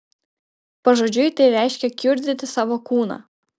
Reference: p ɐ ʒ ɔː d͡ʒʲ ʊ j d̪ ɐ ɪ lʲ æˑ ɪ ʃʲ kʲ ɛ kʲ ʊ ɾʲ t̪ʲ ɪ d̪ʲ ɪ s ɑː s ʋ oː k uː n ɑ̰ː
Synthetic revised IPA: p ɐ ʒ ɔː d͡ʒʲ ʊ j t̪ ɐ ɪ ɾʲ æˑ ɪ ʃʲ kʲ ɛ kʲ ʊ ɾʲ d̪ʲ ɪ t̪ʲ ɪ s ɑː ʋ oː k uː n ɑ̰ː